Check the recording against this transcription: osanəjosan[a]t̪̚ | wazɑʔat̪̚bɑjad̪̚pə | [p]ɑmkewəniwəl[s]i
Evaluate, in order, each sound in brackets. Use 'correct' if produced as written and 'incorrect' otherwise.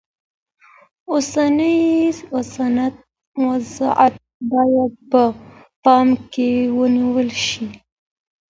correct, correct, incorrect: ʃ

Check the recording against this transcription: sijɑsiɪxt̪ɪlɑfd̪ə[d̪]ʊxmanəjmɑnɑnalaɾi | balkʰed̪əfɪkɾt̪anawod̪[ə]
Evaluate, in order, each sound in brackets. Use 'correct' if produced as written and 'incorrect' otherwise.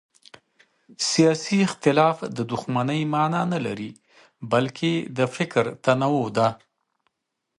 correct, incorrect: a

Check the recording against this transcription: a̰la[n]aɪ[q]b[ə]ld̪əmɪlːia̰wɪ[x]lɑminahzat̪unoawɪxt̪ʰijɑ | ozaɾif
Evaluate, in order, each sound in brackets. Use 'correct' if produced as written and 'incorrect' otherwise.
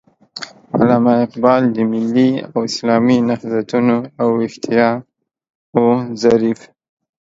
incorrect: m, correct, incorrect: ɑ, incorrect: s

